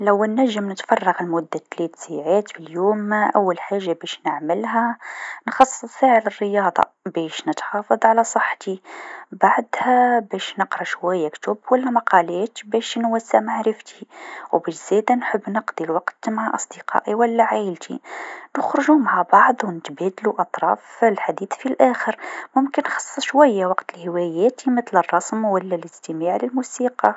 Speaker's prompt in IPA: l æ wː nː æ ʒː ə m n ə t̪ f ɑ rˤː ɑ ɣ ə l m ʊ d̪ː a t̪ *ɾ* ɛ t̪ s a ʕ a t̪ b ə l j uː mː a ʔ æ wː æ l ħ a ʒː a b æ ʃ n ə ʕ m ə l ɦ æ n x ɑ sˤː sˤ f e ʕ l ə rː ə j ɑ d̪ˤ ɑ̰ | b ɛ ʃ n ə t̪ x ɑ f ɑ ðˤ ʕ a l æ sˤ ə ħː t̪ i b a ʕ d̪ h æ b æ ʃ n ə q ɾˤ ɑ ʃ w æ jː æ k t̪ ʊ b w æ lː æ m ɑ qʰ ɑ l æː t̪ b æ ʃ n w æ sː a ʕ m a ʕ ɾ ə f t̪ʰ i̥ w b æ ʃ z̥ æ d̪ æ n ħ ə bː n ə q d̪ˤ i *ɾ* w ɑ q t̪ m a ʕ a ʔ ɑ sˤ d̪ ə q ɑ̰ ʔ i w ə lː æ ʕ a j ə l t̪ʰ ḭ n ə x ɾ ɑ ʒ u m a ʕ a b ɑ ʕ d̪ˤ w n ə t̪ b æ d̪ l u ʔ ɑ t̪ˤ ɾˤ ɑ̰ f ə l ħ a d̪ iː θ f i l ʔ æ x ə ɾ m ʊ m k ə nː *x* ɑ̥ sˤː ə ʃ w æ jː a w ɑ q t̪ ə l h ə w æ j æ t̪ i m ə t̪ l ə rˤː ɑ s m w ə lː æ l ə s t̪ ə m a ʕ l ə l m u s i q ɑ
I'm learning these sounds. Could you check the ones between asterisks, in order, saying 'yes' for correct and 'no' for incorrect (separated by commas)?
no, no, yes